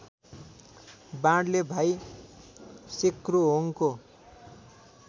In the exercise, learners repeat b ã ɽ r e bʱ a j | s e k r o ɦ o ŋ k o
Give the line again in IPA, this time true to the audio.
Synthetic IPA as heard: b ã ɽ l e bʱ a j | s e k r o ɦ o ŋ k o